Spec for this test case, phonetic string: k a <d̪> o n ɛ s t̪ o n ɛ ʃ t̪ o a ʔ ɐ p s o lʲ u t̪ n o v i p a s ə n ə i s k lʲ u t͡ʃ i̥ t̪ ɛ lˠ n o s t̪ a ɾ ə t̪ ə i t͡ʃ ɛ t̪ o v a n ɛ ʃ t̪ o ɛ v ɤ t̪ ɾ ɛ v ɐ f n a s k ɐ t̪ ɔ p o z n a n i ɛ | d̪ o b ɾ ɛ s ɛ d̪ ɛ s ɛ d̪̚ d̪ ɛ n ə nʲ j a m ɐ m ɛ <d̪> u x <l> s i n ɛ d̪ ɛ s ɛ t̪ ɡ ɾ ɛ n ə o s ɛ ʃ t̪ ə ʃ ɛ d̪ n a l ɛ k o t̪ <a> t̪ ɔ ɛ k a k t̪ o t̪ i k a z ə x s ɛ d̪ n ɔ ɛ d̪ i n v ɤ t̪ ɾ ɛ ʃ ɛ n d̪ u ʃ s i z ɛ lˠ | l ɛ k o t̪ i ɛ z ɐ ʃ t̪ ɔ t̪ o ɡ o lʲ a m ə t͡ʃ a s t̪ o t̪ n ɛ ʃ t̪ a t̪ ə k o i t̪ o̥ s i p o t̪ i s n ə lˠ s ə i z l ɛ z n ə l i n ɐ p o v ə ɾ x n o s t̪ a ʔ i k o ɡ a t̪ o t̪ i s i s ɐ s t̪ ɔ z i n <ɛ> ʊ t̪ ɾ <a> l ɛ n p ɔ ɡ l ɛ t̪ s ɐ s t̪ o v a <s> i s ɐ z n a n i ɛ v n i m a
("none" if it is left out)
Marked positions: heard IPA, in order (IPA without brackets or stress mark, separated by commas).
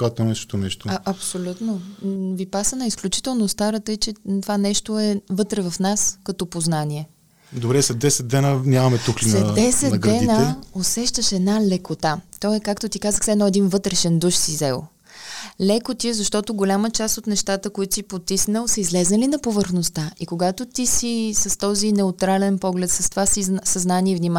t̪, t̪, l, a, ɛ, a, s